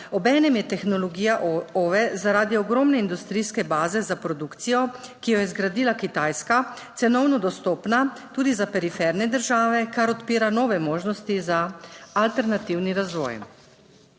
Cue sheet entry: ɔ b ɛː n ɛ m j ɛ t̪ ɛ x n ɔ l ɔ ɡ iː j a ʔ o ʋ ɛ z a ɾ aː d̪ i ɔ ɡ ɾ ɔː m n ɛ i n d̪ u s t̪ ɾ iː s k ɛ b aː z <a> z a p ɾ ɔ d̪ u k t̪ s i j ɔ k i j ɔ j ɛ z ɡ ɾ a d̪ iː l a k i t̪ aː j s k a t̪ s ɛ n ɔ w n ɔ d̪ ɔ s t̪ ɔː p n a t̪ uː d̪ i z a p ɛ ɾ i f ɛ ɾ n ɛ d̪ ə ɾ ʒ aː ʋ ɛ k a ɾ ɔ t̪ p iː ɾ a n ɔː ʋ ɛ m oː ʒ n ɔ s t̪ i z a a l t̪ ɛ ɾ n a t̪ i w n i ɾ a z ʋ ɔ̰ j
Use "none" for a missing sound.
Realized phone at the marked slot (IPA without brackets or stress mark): ɛ